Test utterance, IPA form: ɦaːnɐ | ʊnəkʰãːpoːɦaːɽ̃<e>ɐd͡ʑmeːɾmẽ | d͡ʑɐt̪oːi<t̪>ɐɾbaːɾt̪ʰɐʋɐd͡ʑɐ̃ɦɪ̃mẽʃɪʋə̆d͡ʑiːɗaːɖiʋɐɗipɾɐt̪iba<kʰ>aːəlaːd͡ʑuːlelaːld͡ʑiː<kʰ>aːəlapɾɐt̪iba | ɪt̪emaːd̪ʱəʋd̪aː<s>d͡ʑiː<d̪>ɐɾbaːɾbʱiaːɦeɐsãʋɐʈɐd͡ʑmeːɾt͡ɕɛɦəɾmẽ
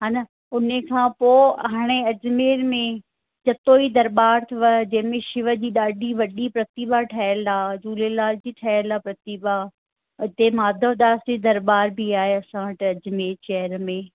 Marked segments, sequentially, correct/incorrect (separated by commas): correct, incorrect, incorrect, incorrect, correct, correct